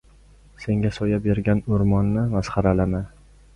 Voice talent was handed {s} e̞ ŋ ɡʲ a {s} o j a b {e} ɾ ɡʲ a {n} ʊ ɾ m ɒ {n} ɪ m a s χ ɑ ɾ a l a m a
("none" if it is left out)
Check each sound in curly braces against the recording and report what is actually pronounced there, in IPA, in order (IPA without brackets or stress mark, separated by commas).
s, s, e, n, nː